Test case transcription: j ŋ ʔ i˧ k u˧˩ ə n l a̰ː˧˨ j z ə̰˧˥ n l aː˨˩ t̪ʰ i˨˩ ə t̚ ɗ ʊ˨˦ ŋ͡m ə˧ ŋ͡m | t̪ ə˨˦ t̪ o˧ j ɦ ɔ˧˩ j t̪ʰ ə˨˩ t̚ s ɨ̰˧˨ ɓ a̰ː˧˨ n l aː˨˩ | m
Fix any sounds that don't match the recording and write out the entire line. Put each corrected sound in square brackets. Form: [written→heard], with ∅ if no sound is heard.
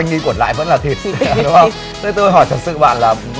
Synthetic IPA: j ŋ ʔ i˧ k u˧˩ ə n l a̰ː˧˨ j [z→v] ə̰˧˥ n l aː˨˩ t̪ʰ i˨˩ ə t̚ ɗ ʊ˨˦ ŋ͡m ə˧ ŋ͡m | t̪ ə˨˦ t̪ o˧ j ɦ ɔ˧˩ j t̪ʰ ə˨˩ t̚ s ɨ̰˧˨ ɓ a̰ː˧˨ n l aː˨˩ | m